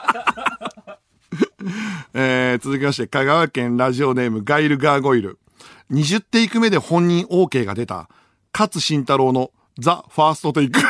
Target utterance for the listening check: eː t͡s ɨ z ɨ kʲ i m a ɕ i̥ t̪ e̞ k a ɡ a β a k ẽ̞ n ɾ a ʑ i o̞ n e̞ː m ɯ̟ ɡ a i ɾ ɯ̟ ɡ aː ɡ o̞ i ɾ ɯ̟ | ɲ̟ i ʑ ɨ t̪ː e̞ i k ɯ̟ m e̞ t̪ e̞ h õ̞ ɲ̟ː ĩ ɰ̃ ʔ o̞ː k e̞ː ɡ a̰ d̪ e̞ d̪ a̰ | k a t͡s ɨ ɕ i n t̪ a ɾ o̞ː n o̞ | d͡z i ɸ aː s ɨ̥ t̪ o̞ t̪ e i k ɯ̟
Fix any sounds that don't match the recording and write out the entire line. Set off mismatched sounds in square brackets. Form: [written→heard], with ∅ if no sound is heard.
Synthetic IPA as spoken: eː t͡s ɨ z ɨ kʲ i m a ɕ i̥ t̪ e̞ k a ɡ a β a k ẽ̞ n ɾ a ʑ i o̞ n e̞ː m ɯ̟ ɡ a i ɾ ɯ̟ ɡ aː ɡ o̞ i ɾ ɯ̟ | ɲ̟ i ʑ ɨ t̪ː e̞ i k ɯ̟ m e̞ [t̪→d̪] e̞ h õ̞ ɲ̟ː ĩ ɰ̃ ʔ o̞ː k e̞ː ɡ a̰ d̪ e̞ [d̪→t̪] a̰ | k a t͡s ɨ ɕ [i→ĩ] n t̪ a ɾ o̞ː n o̞ | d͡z [i→a] ɸ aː s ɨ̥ t̪ o̞ t̪ e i k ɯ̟